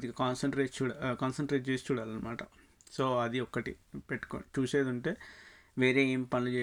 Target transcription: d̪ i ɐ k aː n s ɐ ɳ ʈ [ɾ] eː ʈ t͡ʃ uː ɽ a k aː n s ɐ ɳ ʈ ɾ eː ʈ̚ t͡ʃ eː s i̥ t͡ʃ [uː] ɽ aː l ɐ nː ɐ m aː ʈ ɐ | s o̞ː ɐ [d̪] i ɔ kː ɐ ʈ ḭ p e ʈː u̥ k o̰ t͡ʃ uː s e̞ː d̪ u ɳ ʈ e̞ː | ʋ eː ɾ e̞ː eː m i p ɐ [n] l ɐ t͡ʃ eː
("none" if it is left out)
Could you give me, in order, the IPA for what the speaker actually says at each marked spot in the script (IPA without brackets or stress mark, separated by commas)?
ɾ, uː, d̪, n